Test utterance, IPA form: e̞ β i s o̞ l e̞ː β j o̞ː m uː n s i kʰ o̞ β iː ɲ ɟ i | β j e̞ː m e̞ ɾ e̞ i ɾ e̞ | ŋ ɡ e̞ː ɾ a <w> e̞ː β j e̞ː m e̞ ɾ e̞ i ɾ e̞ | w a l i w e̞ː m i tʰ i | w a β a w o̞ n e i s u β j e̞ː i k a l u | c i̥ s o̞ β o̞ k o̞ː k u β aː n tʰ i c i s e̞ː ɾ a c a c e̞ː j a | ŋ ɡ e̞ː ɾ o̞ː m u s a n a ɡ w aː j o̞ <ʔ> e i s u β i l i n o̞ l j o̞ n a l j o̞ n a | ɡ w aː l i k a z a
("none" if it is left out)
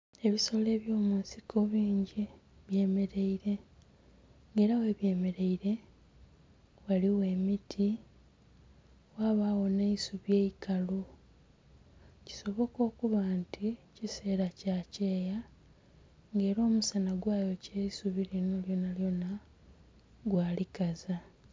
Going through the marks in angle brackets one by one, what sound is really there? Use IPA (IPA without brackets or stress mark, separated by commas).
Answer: w, c